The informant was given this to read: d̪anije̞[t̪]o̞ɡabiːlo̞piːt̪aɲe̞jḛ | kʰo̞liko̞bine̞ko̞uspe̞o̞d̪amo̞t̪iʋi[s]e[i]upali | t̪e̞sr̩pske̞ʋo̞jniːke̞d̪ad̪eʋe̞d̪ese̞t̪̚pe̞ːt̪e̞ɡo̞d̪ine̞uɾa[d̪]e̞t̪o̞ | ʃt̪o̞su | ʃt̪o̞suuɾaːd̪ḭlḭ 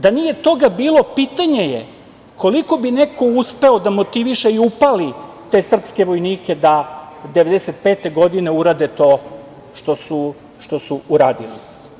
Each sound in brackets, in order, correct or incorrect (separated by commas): correct, incorrect, correct, correct